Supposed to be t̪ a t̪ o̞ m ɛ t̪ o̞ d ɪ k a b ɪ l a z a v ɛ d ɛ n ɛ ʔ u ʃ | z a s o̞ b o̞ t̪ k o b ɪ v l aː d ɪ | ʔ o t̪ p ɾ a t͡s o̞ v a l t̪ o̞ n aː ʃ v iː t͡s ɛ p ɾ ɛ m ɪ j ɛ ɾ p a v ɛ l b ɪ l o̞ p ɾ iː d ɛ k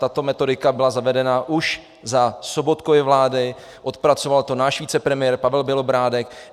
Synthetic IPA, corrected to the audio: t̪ a t̪ o̞ m ɛ t̪ o̞ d ɪ k a b ɪ l a z a v ɛ d ɛ n a ʔ u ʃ | z a s o̞ b o̞ t̪ k o v ɪ v l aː d ɪ | ʔ o t̪ p ɾ a t͡s o̞ v a l t̪ o̞ n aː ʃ v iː t͡s ɛ p ɾ ɛ m ɪ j ɛ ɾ p a v ɛ l b ɪ l o̞ b ɾ aː d ɛ k